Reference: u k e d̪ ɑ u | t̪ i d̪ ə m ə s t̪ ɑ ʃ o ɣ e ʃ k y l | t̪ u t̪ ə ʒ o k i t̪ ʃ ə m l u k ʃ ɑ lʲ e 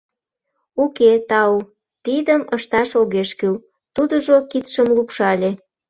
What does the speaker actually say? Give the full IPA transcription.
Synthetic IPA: u k e t̪ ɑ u | t̪ i d̪ ə m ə ʃ t̪ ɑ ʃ o ɣ e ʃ k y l | t̪ u d̪ ə ʒ o k i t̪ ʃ ə m l u p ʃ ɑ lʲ e